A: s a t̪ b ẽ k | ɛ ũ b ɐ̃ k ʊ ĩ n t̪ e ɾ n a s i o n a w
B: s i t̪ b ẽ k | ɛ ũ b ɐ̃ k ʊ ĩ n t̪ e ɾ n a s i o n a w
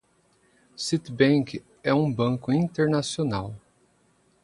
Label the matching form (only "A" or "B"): B